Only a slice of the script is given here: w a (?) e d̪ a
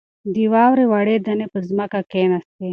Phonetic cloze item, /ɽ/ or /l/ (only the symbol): ɽ